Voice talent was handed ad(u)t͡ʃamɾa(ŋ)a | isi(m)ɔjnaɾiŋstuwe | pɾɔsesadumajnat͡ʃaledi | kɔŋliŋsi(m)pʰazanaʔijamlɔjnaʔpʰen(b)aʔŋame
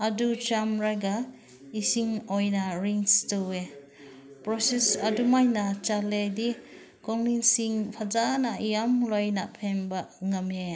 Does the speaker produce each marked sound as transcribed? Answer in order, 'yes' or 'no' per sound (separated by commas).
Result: yes, no, no, no, yes